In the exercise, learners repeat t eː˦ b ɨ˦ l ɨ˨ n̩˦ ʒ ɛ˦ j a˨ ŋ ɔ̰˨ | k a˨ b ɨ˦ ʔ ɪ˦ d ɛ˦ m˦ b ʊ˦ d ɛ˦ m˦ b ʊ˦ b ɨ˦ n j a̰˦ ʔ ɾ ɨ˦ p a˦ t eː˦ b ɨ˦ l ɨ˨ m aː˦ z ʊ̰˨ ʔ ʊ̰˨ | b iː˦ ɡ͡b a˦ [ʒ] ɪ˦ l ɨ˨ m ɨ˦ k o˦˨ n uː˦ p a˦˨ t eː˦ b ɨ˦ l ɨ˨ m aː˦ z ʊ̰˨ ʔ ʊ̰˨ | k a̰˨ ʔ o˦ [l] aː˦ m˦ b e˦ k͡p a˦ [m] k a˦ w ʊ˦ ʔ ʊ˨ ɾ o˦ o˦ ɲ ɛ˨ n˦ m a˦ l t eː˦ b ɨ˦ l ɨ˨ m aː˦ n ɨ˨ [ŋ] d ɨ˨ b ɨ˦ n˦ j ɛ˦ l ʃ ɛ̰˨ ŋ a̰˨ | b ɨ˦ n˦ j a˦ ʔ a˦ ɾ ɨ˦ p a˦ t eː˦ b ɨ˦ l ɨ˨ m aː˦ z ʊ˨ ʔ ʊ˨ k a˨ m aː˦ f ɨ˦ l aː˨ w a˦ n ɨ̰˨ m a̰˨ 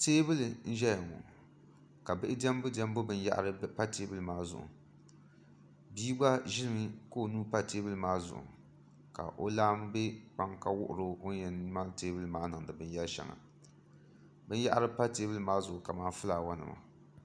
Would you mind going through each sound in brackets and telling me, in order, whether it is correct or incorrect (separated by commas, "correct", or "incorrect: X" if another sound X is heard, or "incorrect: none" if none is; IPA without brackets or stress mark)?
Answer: correct, correct, incorrect: ŋ, correct